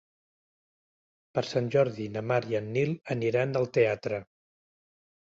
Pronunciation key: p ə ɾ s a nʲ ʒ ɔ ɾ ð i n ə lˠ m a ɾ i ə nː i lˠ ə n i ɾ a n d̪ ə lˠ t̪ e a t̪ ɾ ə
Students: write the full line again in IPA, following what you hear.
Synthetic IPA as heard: p ə ɾ s a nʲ ʒ ɔ ɾ ð i n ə m a ɾ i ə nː i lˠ ə n i ɾ a n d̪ ə lˠ t̪ e a t̪ ɾ ə

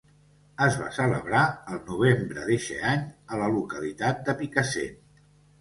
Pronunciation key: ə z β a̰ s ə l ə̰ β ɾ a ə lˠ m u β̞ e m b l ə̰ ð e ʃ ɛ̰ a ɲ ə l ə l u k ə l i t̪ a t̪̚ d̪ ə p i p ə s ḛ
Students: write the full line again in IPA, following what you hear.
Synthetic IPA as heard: ə z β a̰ s ə l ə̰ β ɾ a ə lˠ n u β̞ e m b ɾ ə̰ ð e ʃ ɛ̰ a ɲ ə l ə l u k ə l i t̪ a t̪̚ d̪ ə p i k ə s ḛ

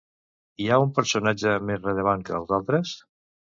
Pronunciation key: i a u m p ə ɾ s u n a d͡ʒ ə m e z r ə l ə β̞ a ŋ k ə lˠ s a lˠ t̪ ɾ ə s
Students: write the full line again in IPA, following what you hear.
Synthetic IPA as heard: i a u m p ə ɾ s u n a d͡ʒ ə m e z r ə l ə β̞ a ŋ k ə lˠ z a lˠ t̪ ɾ ə s

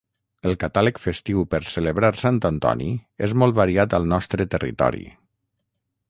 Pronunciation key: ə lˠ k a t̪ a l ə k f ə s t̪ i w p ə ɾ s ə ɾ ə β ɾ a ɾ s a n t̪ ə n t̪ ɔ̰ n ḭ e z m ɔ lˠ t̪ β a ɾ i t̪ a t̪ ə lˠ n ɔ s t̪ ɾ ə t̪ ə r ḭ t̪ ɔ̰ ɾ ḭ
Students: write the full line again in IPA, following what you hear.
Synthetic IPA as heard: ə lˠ k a t̪ a l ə k f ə s t̪ i w p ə ɾ s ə l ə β ɾ a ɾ s a n t̪ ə n t̪ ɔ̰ n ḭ e z m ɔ lˠ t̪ β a ɾ i a t̪ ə lˠ n ɔ s t̪ ɾ ə t̪ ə r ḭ t̪ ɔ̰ ɾ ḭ

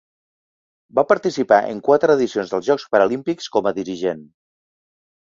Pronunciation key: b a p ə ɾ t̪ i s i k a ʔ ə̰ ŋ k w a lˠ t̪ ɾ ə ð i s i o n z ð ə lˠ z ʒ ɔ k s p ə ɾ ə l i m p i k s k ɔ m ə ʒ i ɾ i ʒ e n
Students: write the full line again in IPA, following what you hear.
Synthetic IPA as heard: b a p ə ɾ t̪ i s i p a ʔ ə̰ ŋ k w a t̪ ɾ ə ð i s i o n z ð ə lˠ z ʒ ɔ k s p ə ɾ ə l i m p i k s k ɔ m ə ð i ɾ i ʒ e n

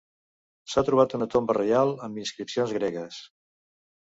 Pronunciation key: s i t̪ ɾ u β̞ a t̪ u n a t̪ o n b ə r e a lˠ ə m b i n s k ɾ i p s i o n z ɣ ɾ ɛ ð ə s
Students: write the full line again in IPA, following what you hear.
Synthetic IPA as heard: s a t̪ ɾ u β̞ a t̪ u n ə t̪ o m b ə r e a lˠ ə m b i n s k ɾ i p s i o n z ɣ ɾ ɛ ɣ ə s

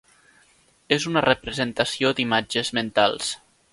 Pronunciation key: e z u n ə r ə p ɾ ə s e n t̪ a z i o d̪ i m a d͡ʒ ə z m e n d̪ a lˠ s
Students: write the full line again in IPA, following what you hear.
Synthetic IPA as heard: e z u n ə r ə p ɾ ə z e n t̪ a s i o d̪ i m a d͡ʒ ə z m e n t̪ a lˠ s

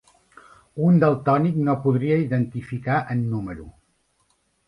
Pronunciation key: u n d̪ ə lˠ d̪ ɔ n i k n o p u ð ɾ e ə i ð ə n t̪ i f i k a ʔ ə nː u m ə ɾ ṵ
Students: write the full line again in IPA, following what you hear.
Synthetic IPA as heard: u n d̪ ə lˠ t̪ ɔ n i k n o p u ð ɾ i ə i ð ə n t̪ i f i k a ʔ ə nː u m ə ɾ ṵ

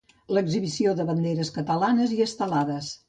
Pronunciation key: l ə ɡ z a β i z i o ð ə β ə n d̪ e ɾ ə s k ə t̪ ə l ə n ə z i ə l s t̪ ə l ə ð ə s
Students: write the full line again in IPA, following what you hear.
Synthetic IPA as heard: l ə ɡ z i β i s i o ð ə β ə n d̪ e ɾ ə s k ə t̪ ə l a n ə z i ə s t̪ ə l a ð ə s

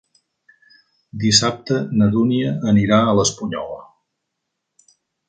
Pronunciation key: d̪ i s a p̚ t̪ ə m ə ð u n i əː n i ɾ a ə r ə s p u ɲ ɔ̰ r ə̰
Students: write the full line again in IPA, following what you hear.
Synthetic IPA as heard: d̪ i s a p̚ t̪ ə n ə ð u n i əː n i ɾ a ə l ə s p u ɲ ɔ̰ l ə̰

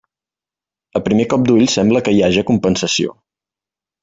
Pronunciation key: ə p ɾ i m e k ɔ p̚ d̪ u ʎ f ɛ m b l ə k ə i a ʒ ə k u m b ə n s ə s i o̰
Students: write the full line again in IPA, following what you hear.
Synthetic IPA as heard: ə p ɾ i m e k ɔ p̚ d̪ u ʎ s ɛ m b l ə k ə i a ʒ ə k u m p ə n s ə s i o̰

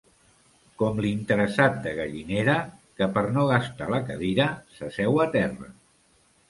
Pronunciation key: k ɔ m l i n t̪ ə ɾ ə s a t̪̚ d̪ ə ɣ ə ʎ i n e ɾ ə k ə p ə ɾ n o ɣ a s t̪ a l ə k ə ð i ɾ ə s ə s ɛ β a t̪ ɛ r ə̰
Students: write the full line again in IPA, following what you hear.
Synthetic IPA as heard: k ɔ m l i n t̪ ə ɾ ə s a t̪̚ d̪ ə ɣ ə ʎ i n e ɾ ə k ə p ə ɾ n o ɣ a s t̪ a l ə k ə ð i ɾ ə s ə s ɛ w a t̪ ɛ r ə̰

